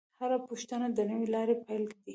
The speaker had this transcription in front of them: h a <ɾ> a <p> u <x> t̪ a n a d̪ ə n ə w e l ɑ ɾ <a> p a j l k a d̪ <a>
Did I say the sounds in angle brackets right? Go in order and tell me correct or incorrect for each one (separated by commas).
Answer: correct, correct, incorrect, incorrect, incorrect